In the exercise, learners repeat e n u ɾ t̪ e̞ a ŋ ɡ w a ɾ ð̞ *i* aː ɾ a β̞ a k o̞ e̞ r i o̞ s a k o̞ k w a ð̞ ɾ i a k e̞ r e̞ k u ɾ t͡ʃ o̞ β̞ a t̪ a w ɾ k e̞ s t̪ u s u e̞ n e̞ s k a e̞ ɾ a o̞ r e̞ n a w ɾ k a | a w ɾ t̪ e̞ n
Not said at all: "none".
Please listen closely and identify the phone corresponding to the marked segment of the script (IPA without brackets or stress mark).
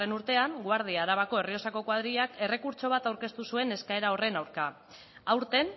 i